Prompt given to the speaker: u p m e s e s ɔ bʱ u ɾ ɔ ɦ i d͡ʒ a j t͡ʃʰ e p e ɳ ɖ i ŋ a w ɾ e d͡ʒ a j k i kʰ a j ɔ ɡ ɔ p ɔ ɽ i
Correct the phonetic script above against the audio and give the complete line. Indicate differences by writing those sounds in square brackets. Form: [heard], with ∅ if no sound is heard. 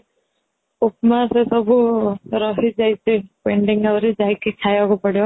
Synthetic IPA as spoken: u p m [a] s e s ɔ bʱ u ɾ ɔ ɦ i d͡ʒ a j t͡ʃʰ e p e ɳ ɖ i ŋ a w ɾ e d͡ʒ a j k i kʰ a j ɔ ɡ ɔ p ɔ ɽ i